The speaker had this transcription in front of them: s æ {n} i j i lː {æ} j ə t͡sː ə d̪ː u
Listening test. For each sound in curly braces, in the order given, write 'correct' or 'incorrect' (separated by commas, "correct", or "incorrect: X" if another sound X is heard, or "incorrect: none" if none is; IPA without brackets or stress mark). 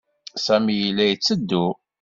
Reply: incorrect: m, correct